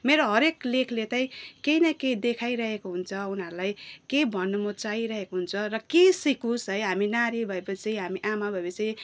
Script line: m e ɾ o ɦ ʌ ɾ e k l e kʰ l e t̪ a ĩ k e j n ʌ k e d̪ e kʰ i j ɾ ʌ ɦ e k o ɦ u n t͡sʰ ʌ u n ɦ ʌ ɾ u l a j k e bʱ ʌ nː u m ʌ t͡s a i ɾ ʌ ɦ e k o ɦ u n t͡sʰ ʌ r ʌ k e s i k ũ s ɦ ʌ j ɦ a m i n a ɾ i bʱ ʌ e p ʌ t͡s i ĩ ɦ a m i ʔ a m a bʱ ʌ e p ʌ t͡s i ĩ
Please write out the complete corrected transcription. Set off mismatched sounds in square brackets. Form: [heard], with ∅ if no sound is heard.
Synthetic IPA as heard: m e ɾ o ɦ ʌ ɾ e k l e kʰ l e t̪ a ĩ k e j n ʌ k e d̪ e kʰ [a] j ɾ ʌ ɦ e k o ɦ u n t͡sʰ ʌ u n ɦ ʌ ɾ u l a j k e bʱ ʌ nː u m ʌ t͡s a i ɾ ʌ ɦ e k o ɦ u n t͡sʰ ʌ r ʌ k e s i k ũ s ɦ ʌ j ɦ a m i n a ɾ i bʱ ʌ e p ʌ t͡s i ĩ ɦ a m i ʔ a m a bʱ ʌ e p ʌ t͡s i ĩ